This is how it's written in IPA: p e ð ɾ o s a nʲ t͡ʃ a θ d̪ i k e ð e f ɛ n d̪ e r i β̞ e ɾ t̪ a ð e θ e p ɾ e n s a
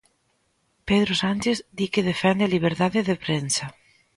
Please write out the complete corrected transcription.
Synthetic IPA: p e ð ɾ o s a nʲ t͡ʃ e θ d̪ i k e ð e f ɛ n d̪ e l i β̞ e ɾ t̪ a ð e ð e p ɾ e n s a